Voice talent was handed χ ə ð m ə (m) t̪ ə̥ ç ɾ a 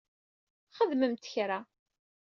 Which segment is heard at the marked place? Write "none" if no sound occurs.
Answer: m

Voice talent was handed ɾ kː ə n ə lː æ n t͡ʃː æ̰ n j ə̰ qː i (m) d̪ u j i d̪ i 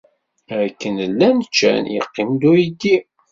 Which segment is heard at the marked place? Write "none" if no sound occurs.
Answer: m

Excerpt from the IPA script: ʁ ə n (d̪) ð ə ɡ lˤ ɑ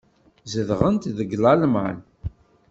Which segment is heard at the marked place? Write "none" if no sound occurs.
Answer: t̪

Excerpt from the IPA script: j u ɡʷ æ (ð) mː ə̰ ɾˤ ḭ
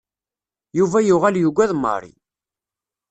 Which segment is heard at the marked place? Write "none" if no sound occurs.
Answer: ð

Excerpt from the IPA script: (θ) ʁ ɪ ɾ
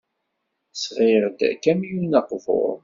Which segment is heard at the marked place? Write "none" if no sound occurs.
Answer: s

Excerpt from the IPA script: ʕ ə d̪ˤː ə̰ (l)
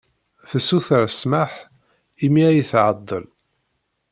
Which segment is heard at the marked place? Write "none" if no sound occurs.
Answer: l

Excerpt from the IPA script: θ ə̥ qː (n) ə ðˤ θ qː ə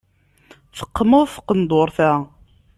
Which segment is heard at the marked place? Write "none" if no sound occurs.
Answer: m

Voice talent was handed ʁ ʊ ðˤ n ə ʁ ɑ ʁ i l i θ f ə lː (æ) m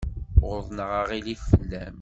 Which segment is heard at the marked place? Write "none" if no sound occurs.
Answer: æ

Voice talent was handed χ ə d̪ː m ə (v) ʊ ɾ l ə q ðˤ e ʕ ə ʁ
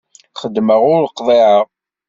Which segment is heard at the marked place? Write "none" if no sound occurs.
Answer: ʁ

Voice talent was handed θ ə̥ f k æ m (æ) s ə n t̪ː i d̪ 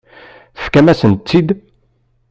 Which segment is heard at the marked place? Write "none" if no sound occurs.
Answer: æ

